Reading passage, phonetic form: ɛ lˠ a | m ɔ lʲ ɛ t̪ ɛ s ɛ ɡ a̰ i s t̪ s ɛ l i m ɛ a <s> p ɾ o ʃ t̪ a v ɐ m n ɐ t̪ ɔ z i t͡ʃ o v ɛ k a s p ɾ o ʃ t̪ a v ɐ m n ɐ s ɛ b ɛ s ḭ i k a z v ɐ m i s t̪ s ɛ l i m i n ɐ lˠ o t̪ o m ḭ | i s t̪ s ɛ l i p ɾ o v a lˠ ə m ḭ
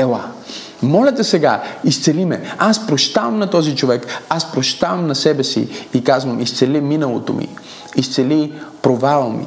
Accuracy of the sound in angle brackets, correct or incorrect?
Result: correct